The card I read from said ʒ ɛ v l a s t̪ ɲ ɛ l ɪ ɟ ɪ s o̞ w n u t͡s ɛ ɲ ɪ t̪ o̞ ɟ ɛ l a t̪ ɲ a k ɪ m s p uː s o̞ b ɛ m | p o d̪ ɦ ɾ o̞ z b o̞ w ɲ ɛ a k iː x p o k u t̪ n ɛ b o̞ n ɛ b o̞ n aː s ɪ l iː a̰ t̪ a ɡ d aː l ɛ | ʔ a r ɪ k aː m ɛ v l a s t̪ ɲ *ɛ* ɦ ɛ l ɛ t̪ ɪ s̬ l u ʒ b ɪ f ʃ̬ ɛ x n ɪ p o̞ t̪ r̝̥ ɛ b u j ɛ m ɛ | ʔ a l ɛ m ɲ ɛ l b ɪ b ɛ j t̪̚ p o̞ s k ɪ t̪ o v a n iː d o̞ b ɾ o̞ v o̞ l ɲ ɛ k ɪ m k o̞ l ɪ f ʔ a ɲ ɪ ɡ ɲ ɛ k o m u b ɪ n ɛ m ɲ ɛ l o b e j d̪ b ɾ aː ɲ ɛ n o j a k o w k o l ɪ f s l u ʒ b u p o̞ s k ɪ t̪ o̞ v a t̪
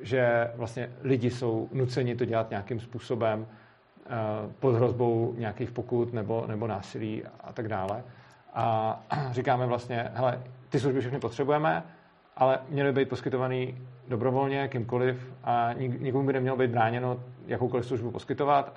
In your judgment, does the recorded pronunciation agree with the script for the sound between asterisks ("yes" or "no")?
yes